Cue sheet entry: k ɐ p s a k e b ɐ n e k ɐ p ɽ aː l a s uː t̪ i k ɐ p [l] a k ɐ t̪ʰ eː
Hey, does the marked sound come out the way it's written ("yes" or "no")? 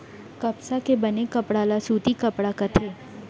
no